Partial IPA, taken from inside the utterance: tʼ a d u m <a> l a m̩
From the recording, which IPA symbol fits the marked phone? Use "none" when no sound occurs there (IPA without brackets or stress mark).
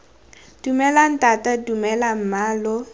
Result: ɛ